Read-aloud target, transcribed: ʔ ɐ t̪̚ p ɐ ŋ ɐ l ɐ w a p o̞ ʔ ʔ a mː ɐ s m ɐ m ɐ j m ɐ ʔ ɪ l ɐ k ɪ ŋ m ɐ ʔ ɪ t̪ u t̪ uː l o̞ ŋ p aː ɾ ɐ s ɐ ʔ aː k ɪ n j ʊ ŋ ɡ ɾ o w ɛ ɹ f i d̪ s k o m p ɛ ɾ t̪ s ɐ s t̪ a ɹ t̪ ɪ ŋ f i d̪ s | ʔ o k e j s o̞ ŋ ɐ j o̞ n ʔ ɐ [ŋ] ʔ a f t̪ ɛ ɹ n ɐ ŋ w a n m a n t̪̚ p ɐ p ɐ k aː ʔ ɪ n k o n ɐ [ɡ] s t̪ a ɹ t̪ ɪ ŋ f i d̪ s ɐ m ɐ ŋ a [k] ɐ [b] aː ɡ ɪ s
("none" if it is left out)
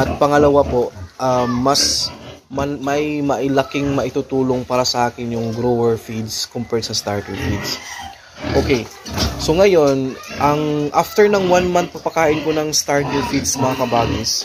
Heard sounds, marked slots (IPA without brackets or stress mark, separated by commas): ŋ, ŋ, k, b